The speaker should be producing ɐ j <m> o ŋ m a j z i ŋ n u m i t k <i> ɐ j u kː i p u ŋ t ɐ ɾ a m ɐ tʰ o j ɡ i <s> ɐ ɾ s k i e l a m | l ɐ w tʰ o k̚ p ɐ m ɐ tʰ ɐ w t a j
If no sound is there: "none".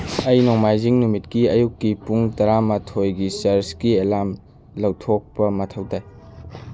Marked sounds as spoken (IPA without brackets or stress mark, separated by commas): n, i, s